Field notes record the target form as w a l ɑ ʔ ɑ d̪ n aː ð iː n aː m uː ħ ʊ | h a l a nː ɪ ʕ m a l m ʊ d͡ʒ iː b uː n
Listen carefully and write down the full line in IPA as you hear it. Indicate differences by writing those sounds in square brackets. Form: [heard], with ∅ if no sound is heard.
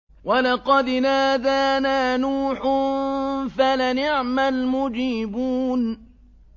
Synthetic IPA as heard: w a l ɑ [q] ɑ d̪ n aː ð [aː] n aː [n] uː ħ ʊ | [f] a l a [n] ɪ ʕ m a l m ʊ d͡ʒ iː b uː n